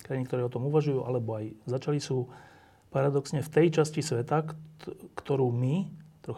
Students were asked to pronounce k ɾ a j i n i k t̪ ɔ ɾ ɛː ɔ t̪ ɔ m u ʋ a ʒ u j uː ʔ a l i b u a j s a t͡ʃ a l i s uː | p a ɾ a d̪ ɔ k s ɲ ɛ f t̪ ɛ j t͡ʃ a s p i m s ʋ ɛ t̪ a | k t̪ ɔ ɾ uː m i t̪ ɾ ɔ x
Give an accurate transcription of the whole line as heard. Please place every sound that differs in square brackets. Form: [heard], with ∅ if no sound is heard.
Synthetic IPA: k ɾ a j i n i k t̪ ɔ ɾ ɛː ɔ t̪ ɔ m u ʋ a ʒ u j uː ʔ a l [ɛ] b [ɔ] a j [z] a t͡ʃ a l i s uː | p a ɾ a d̪ ɔ k s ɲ ɛ f t̪ ɛ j t͡ʃ a s [c] i [∅] s ʋ ɛ t̪ a | k t̪ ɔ ɾ uː m i t̪ ɾ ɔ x